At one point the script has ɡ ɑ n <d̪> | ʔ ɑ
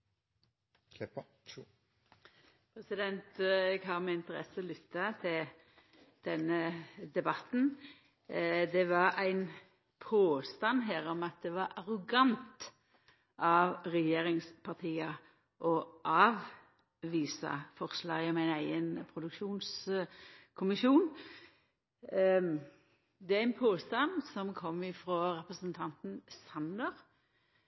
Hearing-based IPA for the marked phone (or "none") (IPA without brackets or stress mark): t̪